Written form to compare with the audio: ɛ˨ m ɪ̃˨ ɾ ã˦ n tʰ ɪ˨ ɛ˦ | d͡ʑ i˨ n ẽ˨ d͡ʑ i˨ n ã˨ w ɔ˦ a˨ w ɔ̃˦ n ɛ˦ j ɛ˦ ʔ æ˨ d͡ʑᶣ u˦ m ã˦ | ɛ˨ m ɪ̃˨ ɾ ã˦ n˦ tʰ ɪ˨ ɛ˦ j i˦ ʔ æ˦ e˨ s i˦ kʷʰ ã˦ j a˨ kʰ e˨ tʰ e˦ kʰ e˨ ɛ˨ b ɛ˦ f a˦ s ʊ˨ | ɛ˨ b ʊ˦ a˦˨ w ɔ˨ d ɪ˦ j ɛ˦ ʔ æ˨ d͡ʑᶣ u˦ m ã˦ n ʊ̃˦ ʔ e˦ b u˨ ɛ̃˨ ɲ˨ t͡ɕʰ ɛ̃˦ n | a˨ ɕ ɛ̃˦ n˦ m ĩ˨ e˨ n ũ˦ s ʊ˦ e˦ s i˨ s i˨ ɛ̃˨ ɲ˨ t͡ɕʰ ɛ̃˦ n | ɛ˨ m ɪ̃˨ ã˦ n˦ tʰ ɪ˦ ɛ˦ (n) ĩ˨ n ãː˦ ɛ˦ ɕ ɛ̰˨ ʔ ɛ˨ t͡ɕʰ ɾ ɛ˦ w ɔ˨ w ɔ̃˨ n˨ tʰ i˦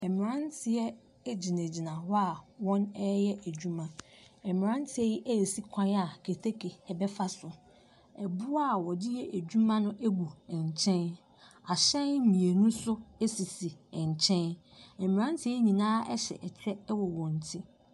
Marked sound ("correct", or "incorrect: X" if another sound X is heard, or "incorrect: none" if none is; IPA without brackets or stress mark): incorrect: ɲ